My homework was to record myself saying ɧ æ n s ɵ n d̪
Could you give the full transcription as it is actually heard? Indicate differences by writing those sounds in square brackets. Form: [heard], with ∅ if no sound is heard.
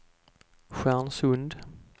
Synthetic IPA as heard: ɧ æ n s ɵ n d̪